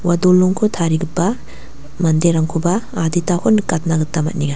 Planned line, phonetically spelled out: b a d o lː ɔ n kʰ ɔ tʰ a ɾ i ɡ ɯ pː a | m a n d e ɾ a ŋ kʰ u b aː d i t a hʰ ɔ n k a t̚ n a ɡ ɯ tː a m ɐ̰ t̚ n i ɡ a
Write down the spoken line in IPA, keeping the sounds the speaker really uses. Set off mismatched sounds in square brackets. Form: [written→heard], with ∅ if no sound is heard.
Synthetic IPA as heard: [b→w] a d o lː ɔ [n→ŋ] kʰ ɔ tʰ a ɾ i ɡ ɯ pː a | m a n d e ɾ a ŋ kʰ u b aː d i t a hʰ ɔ n k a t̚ n a ɡ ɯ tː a m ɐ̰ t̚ n i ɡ a